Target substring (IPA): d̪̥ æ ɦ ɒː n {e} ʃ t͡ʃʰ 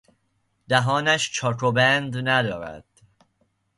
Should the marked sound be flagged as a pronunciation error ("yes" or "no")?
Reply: yes